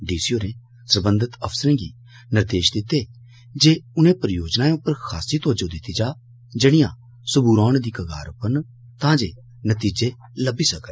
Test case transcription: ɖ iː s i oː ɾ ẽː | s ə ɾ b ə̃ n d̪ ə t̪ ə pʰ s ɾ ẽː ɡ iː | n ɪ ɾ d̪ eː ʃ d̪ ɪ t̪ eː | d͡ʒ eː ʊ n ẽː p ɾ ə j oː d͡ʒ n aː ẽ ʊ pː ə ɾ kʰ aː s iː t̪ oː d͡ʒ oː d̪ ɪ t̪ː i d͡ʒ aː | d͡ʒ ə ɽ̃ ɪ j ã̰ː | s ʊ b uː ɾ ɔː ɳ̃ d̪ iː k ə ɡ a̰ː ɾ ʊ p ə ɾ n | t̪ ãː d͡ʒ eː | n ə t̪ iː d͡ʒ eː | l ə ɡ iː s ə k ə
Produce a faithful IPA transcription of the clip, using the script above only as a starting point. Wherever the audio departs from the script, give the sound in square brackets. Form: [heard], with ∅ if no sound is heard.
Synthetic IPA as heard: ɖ iː s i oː ɾ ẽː | s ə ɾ b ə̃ n d̪ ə t̪ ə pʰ s ɾ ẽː ɡ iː | n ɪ ɾ d̪ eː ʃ d̪ ɪ t̪ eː | d͡ʒ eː ʊ n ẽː p ɾ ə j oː d͡ʒ n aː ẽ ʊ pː ə ɾ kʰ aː s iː t̪ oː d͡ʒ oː d̪ ɪ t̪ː i d͡ʒ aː | d͡ʒ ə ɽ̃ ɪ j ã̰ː | s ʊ b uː ɾ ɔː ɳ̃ d̪ iː k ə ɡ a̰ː ɾ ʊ p ə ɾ n | t̪ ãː d͡ʒ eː | n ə t̪ iː d͡ʒ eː | l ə [b] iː s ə k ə

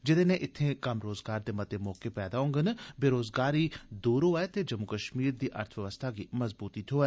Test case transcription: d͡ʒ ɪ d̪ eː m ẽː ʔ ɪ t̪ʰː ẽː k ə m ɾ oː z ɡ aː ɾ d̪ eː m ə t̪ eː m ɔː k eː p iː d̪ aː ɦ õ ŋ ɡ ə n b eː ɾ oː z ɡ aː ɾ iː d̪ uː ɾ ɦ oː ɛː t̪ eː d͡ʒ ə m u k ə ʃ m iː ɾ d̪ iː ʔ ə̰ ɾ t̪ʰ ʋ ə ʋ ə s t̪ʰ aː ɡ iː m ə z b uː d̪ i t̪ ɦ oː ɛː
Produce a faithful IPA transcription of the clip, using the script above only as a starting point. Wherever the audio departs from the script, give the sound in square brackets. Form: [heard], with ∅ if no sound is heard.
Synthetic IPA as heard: d͡ʒ ɪ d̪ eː [n] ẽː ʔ ɪ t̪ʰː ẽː k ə m ɾ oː z ɡ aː ɾ d̪ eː m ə t̪ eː m ɔː k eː p [ɛː] d̪ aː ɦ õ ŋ ɡ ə n b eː ɾ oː z ɡ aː ɾ iː d̪ uː ɾ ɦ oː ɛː t̪ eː d͡ʒ ə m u k ə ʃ m iː ɾ d̪ iː ʔ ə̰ ɾ t̪ʰ ʋ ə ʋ ə s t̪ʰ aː ɡ iː m ə z b uː [t̪] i t̪ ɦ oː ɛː

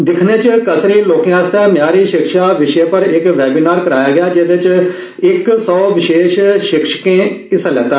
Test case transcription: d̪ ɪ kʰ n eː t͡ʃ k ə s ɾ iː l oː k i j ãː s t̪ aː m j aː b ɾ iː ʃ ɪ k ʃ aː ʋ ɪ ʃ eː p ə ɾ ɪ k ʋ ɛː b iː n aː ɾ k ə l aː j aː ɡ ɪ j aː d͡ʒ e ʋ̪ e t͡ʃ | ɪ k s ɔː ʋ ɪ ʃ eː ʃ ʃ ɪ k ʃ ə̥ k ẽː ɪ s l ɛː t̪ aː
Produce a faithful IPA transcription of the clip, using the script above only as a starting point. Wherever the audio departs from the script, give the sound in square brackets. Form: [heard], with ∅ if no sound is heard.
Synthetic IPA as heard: d̪ ɪ kʰ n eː t͡ʃ k ə s ɾ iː l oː k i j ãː s t̪ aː m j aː [∅] ɾ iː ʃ ɪ k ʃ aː ʋ ɪ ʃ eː p ə ɾ ɪ k ʋ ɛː b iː n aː ɾ k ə [ɾ] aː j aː ɡ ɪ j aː d͡ʒ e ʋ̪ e t͡ʃ | ɪ k s ɔː ʋ ɪ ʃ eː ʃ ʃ ɪ k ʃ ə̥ k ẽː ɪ s l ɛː t̪ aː

